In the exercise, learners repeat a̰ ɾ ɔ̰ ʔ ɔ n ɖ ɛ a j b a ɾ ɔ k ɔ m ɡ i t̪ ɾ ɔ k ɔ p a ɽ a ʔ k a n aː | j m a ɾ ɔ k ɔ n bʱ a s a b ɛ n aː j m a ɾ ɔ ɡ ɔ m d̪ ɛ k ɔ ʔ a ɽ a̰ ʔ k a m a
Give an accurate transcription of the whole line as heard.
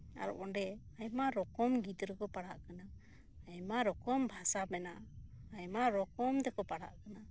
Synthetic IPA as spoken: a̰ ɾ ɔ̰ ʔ ɔ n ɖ ɛ a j m a ɾ ɔ k ɔ m ɡ i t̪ ɾ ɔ k ɔ p a ɽ a ʔ k a n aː | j m a ɾ ɔ k ɔ m bʱ a s a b ɛ n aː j m a ɾ ɔ k ɔ m d̪ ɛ k ɔ p a ɽ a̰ ʔ k a n a